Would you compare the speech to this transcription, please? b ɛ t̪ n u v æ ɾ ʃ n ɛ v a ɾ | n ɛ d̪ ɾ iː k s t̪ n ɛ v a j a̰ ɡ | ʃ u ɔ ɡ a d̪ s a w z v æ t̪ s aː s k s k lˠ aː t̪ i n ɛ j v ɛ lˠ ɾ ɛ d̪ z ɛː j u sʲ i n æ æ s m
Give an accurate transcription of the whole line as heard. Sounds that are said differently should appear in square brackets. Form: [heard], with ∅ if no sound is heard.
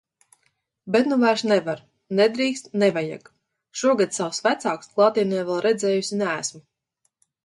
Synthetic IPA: b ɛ t̪ n u v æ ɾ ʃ n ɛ v a ɾ | n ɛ d̪ ɾ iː k s t̪ n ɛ v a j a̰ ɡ | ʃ u ɔ ɡ a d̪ s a w [s] v æ t̪ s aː [∅] k s k lˠ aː t̪ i n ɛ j v ɛ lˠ ɾ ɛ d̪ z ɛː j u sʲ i n æ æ s m